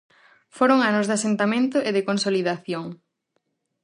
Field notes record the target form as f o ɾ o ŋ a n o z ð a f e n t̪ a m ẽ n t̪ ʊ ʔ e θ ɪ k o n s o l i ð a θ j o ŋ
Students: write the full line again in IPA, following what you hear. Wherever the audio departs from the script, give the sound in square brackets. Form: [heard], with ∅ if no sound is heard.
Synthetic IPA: f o ɾ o ŋ a n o z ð a [s] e n t̪ a m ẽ n t̪ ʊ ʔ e [ð] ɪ k o n s o l i ð a θ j o ŋ